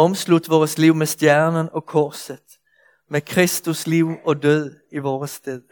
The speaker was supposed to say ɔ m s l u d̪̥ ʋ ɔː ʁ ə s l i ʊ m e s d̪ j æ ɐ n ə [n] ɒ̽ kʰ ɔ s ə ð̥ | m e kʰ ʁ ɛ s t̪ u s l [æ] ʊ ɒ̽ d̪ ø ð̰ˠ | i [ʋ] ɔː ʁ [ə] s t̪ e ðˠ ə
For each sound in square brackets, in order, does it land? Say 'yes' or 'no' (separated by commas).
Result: yes, no, yes, yes